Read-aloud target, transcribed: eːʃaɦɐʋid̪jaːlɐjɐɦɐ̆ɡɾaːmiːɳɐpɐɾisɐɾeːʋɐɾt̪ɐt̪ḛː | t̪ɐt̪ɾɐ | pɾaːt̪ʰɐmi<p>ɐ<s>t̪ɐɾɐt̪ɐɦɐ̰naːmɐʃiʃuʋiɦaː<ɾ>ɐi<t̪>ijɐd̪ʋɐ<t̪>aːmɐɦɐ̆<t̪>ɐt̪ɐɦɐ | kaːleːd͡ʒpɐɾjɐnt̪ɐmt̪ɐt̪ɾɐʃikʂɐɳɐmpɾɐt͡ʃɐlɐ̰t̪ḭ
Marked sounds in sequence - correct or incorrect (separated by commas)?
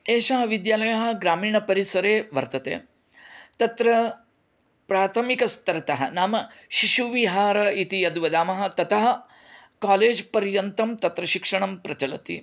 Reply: incorrect, correct, correct, correct, incorrect, correct